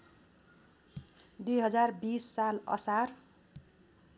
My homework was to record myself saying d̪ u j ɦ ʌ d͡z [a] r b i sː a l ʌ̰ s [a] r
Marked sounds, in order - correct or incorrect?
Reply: correct, correct

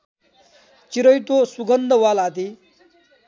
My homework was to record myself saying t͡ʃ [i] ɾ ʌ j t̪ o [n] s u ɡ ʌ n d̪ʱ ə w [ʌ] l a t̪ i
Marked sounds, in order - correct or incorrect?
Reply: correct, incorrect: none, incorrect: a

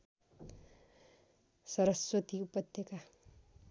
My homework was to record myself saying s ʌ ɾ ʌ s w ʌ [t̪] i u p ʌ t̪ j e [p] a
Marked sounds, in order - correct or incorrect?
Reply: correct, incorrect: k

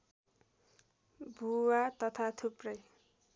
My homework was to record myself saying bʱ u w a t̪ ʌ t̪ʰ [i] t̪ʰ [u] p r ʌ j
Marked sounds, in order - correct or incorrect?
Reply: incorrect: a, correct

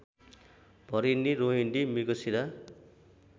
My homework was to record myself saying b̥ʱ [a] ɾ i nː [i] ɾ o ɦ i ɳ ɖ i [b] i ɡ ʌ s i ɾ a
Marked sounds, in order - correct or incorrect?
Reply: incorrect: ʌ, correct, incorrect: m

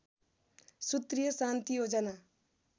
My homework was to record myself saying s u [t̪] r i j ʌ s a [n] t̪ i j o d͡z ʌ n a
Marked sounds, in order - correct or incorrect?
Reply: correct, correct

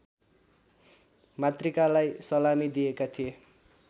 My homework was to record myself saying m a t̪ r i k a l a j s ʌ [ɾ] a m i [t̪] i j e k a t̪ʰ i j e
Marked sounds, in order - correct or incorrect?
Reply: incorrect: l, incorrect: d̪

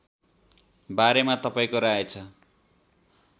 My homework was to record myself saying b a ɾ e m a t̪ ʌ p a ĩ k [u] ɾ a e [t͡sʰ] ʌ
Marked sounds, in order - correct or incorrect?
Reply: incorrect: o, correct

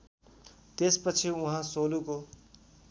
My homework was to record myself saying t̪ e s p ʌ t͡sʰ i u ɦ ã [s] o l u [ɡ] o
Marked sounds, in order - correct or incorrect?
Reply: correct, incorrect: k

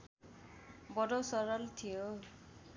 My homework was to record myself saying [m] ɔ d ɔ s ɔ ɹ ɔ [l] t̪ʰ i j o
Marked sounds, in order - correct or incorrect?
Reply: incorrect: b, correct

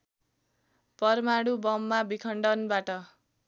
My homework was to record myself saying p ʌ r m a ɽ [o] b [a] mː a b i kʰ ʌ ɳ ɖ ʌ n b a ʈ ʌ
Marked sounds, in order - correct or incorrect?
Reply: incorrect: u, incorrect: ʌ

